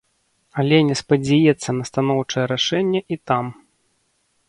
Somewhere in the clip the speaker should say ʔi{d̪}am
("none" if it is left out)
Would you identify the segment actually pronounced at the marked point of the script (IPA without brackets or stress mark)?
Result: t̪